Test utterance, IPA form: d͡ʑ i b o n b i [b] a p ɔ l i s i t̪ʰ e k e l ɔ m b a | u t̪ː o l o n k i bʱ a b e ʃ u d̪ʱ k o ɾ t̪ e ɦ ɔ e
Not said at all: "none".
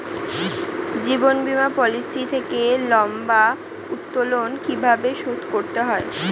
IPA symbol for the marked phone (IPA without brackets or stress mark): m